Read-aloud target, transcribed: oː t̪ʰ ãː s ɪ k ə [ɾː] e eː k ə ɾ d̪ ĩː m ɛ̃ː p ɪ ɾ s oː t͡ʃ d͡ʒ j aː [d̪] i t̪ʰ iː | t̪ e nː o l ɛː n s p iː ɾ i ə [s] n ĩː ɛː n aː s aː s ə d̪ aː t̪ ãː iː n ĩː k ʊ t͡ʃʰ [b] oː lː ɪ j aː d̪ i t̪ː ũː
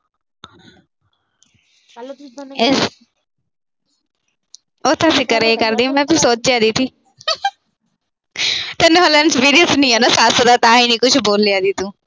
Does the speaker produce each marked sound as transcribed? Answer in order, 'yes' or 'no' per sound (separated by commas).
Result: no, yes, yes, yes